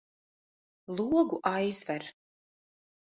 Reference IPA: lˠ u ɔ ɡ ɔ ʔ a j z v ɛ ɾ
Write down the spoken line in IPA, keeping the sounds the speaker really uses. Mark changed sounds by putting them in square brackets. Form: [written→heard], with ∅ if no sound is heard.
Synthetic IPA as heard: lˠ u ɔ ɡ [ɔ→u] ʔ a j z v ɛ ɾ